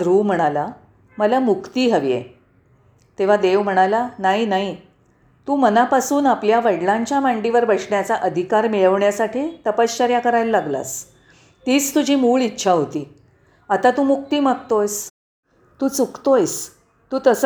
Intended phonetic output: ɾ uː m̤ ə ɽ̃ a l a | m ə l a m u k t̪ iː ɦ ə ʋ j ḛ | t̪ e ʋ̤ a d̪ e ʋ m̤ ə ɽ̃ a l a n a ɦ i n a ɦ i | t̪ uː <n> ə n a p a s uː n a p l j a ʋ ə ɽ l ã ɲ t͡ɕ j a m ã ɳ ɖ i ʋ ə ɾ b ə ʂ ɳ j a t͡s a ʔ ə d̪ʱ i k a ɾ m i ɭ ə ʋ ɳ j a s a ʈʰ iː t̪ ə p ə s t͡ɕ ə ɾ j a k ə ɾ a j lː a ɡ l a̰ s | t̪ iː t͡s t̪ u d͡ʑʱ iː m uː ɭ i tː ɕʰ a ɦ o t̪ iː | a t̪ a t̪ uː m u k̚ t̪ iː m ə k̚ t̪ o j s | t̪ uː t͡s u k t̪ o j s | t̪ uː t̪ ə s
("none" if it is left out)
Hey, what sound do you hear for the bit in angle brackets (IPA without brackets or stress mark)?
m